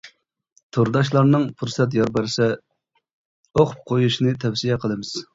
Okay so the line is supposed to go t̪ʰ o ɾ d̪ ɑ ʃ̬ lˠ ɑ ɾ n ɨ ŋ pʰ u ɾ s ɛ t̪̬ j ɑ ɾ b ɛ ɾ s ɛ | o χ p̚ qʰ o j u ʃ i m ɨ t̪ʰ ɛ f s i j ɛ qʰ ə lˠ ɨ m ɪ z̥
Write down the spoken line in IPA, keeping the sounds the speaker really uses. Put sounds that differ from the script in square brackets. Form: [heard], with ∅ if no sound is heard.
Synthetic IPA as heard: t̪ʰ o ɾ d̪ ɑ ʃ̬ lˠ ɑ ɾ n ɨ ŋ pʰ u ɾ s ɛ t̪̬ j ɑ ɾ b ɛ ɾ s ɛ | o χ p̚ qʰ o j u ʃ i [n] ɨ t̪ʰ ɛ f s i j ɛ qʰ ə lˠ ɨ m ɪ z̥